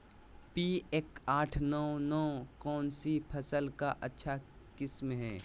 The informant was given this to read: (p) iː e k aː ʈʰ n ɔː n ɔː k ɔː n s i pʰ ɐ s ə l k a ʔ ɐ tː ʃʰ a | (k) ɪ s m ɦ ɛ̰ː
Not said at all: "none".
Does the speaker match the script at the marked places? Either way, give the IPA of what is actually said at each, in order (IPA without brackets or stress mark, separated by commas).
p, k